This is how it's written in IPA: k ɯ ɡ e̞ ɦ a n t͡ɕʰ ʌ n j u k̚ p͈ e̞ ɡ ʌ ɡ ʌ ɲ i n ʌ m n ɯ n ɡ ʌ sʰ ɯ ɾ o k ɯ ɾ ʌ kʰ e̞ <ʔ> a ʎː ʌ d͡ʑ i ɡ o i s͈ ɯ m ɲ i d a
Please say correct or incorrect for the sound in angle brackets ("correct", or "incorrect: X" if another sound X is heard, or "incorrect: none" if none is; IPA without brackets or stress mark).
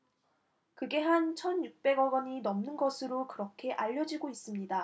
correct